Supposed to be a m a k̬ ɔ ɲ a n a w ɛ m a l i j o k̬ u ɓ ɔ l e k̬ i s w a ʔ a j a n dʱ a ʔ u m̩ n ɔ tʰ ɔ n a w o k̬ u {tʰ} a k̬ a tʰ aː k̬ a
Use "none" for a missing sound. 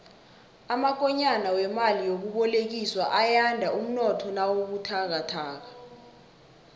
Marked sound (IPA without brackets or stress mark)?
tʰ